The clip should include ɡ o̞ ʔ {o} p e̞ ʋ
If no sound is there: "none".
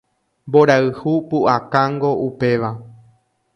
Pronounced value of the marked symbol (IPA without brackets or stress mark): u